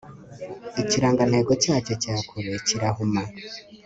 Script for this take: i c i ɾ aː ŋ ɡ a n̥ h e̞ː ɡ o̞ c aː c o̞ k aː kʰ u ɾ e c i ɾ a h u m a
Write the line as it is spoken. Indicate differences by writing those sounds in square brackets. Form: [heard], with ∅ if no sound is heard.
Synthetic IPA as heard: i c i ɾ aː ŋ ɡ a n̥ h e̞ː ɡ o̞ c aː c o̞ [c] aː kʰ u ɾ e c i ɾ a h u m a